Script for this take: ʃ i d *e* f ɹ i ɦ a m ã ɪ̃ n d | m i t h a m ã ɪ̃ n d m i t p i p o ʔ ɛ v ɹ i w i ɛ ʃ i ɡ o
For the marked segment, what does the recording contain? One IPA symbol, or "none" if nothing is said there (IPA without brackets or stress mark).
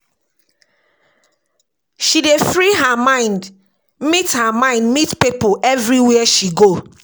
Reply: e